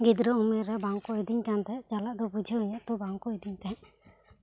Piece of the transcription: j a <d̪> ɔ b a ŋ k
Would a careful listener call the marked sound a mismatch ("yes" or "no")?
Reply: yes